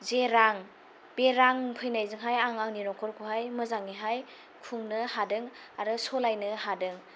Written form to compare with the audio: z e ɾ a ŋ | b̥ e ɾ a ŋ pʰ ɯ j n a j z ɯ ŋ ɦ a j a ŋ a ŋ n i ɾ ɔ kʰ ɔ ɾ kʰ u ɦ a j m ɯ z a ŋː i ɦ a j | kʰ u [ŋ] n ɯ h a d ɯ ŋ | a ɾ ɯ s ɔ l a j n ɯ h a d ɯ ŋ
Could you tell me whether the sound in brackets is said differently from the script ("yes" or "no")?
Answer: no